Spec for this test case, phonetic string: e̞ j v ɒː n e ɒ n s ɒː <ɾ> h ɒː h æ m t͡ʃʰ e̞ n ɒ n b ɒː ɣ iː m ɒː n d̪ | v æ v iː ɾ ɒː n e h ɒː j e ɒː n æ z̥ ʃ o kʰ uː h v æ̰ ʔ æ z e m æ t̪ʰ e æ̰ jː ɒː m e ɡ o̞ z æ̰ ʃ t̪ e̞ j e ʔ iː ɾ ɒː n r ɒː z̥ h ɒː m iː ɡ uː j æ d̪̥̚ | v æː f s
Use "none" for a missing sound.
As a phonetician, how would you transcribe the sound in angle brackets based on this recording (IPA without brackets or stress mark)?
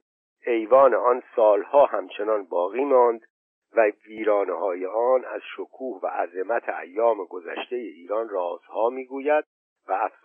l